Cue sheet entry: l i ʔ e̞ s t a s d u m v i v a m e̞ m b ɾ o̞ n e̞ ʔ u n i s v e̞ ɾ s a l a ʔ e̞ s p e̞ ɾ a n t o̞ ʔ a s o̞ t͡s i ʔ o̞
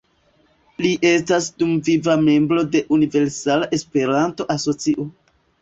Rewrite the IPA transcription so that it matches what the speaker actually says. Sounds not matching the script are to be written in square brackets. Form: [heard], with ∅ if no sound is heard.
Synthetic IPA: l i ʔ e̞ s t a s d u m v i v a m e̞ m b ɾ o̞ [d] e̞ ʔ u n i [∅] v e̞ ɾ s a l a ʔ e̞ s p e̞ ɾ a n t o̞ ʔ a s o̞ t͡s i ʔ o̞